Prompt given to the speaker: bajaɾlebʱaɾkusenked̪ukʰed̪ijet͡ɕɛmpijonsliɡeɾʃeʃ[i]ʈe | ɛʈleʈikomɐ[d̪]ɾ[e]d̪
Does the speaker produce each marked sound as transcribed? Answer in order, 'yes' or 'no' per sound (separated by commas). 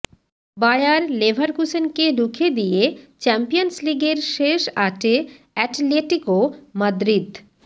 no, yes, no